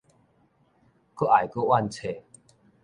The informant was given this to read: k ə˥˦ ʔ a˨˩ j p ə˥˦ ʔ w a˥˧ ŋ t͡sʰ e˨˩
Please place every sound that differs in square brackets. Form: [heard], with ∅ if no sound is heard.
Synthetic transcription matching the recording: k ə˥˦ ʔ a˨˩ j [k] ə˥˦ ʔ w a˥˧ [n] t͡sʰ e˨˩